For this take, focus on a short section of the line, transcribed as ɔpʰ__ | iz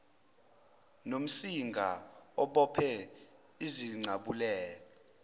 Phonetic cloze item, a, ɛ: ɛ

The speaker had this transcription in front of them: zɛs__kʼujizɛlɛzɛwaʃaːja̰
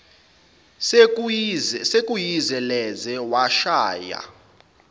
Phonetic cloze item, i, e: e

